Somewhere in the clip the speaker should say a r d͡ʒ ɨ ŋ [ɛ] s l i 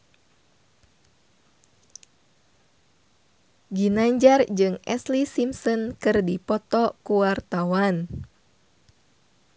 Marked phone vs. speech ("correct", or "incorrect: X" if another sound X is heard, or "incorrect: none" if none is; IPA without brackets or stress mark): correct